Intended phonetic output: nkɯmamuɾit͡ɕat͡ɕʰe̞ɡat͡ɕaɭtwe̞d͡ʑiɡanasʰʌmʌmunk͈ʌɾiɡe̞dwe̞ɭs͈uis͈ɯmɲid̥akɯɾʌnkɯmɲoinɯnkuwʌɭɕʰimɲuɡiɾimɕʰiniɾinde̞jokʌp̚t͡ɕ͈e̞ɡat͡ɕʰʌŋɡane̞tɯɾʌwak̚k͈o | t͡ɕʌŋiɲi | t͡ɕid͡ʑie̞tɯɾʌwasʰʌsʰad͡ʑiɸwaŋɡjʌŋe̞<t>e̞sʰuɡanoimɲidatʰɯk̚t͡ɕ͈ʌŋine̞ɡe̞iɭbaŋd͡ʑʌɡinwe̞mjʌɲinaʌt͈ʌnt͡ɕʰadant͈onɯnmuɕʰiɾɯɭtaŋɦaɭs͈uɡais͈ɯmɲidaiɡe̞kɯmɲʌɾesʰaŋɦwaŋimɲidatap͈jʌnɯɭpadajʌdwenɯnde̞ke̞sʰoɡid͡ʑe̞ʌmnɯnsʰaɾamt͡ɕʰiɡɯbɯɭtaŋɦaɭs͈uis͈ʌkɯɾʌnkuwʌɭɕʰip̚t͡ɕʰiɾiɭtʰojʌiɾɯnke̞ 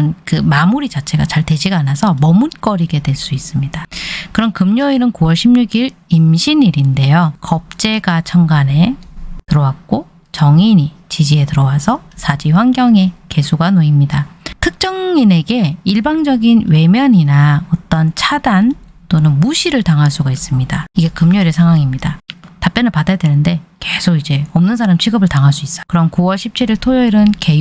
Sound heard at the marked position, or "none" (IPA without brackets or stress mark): k